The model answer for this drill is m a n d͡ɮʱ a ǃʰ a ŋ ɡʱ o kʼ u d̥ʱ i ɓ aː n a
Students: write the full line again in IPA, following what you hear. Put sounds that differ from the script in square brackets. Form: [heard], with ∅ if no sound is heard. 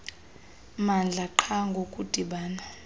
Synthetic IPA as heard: m a n d͡ɮʱ a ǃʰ a ŋ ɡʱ o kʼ u d̥ʱ i ɓ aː n a